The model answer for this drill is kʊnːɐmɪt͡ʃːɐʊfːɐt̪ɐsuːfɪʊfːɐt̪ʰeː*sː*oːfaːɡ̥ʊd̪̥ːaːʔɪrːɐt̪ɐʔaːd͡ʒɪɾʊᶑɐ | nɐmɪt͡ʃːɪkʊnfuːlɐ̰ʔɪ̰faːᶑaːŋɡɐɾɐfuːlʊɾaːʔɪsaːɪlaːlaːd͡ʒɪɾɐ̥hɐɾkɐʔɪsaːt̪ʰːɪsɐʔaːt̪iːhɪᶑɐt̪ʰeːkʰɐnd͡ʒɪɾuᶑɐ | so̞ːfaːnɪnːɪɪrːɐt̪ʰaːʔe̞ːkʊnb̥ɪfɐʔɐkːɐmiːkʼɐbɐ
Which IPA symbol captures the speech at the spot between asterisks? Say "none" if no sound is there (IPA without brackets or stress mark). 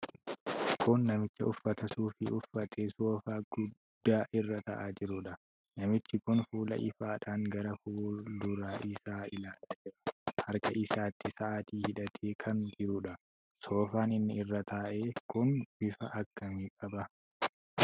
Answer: s